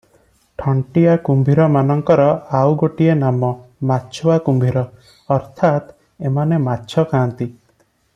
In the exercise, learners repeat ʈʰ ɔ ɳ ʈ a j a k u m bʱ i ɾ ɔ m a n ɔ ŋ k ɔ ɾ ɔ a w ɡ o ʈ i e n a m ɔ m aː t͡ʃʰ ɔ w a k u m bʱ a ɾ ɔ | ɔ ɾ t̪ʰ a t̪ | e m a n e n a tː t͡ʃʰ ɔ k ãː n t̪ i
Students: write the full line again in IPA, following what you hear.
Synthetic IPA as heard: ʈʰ ɔ ɳ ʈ i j a k u m bʱ i ɾ ɔ m a n ɔ ŋ k ɔ ɾ ɔ a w ɡ o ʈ i e n a m ɔ m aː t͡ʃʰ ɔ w a k u m bʱ i ɾ ɔ | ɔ ɾ t̪ʰ a t̪ | e m a n e m a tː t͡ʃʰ ɔ k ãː n t̪ i